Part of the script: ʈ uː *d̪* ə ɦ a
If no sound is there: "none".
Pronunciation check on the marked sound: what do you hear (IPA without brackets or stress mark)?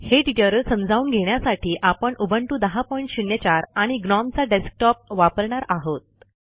d̪